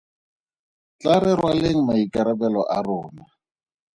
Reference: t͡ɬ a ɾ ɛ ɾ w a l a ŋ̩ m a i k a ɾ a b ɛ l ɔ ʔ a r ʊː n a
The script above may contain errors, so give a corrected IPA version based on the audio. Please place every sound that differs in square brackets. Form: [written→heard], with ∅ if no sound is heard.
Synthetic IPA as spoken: t͡ɬ a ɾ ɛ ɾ w a l [a→e] ŋ̩ m a i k a ɾ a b ɛ l ɔ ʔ a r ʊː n a